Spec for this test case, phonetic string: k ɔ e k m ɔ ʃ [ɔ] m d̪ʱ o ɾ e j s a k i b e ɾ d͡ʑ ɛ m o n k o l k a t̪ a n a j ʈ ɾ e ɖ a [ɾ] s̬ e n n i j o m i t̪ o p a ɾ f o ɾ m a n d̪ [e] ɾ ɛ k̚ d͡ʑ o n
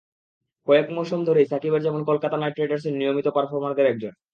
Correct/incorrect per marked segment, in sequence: incorrect, correct, correct

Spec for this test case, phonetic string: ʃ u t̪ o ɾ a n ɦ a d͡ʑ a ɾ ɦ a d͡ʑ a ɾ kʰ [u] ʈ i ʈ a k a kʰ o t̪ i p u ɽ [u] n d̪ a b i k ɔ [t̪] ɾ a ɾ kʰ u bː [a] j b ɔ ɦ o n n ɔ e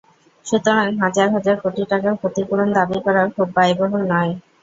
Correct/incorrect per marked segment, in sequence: incorrect, incorrect, incorrect, correct

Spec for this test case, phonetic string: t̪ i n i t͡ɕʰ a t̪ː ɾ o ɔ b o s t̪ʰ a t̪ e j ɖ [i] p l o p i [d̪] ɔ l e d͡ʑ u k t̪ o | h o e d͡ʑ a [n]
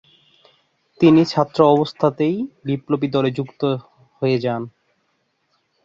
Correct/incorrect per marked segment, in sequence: correct, correct, correct

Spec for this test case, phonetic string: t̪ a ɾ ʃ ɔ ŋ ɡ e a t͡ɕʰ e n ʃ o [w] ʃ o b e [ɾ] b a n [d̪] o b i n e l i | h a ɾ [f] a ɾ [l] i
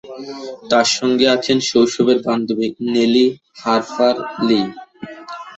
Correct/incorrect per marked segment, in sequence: correct, correct, correct, correct, correct

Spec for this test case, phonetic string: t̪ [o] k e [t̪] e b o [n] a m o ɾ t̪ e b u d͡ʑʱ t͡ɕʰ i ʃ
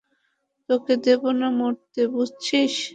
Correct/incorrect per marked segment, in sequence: correct, incorrect, correct

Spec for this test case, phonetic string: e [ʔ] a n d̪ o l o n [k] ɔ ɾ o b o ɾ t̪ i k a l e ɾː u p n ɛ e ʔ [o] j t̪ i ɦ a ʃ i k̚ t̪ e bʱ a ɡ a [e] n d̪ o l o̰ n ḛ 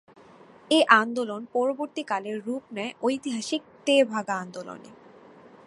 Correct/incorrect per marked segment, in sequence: correct, incorrect, correct, incorrect

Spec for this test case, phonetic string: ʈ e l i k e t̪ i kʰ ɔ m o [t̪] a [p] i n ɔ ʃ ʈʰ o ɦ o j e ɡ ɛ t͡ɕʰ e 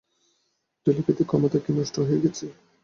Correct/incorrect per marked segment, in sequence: correct, incorrect

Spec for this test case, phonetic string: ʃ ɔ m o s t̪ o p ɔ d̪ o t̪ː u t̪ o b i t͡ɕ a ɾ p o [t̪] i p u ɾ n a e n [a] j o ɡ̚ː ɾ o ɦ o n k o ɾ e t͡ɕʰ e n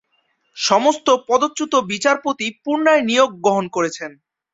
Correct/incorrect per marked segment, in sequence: correct, incorrect

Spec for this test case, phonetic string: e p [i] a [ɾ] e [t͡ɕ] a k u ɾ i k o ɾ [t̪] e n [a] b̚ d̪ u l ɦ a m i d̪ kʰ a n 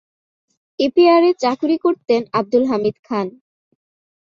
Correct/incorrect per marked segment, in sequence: correct, correct, correct, correct, correct

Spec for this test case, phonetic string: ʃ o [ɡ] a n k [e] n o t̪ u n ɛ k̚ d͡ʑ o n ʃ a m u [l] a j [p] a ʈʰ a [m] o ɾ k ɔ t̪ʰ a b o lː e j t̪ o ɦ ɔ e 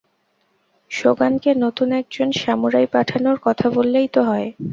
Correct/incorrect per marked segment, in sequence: correct, correct, incorrect, correct, incorrect

